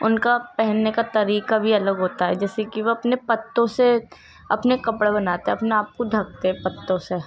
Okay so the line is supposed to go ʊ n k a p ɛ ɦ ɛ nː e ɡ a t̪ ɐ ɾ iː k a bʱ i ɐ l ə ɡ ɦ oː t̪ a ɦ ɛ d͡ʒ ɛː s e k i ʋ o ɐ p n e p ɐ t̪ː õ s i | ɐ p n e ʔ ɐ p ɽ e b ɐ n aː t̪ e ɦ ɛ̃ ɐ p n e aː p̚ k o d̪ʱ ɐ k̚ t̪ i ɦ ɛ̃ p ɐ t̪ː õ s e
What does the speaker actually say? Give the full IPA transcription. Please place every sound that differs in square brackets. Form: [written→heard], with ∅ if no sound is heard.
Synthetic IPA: ʊ n k a p ɛ ɦ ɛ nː e [ɡ→k] a t̪ ɐ ɾ iː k a bʱ i ɐ l ə ɡ ɦ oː t̪ a ɦ ɛ d͡ʒ ɛː s e k i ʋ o ɐ p n e p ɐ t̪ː õ s [i→e] | ɐ p n e [ʔ→k] ɐ p ɽ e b ɐ n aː t̪ e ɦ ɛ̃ ɐ p n e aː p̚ k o d̪ʱ ɐ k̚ t̪ [i→e] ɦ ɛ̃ p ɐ t̪ː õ s e